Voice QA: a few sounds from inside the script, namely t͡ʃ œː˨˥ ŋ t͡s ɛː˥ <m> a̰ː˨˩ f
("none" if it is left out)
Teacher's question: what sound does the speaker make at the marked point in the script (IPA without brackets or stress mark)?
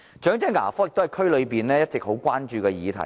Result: ŋ